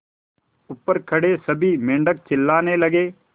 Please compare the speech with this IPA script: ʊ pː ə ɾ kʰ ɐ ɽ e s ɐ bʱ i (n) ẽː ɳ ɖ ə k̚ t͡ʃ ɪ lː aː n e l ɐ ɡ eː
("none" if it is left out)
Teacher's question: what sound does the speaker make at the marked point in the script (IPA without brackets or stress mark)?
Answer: m